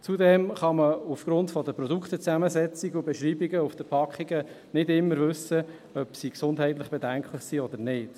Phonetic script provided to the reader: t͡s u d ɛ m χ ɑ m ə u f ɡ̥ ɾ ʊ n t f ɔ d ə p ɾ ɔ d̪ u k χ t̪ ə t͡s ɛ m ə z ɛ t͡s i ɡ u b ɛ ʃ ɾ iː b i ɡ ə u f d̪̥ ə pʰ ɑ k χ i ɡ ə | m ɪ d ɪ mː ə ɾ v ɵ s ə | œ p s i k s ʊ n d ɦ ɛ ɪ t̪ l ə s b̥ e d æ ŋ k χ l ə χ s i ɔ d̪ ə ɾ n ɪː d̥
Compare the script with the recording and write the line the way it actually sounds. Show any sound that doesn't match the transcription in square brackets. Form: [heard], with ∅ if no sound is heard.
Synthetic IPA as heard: t͡s u d ɛ m χ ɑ m ə u f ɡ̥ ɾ ʊ n t f ɔ d ə p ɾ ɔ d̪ u k χ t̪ ə t͡s [æ] m ə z ɛ t͡s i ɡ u b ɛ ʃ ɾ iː b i ɡ ə u f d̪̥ ə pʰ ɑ k χ i ɡ ə | [n] ɪ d ɪ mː ə ɾ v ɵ s ə | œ p s i k s ʊ n d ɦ ɛ ɪ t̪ l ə [χ] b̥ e d æ ŋ k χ l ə χ s i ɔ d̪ ə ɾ n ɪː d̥

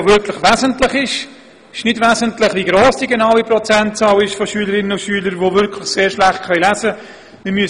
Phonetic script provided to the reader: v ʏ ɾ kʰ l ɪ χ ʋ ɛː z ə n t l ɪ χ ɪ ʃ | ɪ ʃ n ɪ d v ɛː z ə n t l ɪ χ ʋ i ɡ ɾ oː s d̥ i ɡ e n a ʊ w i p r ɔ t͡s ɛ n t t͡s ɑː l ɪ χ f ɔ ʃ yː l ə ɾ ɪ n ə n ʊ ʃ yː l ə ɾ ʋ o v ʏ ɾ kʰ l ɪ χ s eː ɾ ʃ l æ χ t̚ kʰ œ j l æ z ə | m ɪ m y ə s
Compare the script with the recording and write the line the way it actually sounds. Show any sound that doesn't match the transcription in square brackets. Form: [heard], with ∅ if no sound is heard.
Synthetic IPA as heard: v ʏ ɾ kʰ l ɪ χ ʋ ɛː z ə n t l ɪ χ ɪ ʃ | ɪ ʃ n ɪ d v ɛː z ə n t l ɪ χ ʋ i ɡ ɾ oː s d̥ i ɡ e n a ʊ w i p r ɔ t͡s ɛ n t t͡s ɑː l ɪ [ʃ] f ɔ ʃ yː l ə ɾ ɪ n ə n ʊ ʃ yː l ə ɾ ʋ o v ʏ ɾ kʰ l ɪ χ s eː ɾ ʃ l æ χ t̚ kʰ œ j l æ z ə | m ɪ m y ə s

